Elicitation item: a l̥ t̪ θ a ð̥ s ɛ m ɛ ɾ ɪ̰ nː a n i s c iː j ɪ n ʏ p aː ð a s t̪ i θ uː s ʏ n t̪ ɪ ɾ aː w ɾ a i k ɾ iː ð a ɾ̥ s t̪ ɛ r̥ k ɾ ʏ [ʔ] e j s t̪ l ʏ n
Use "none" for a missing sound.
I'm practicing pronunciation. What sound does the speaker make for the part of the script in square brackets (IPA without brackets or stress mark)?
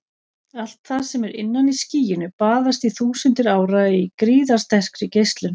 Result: c